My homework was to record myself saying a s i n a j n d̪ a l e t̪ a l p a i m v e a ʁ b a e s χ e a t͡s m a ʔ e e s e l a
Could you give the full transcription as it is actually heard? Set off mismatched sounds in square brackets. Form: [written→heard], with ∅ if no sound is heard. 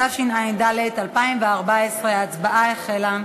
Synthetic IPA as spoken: a [s→ʃ] i n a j n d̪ a l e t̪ a l p a i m v e a ʁ b a e s [χ→ʁ] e a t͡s [m→b] a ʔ [e→a] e [s→χ] e l a